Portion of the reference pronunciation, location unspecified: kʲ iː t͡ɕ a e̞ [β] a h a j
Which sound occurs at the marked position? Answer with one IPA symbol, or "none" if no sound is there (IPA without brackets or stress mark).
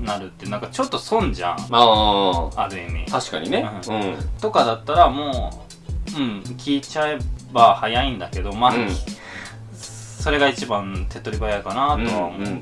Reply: b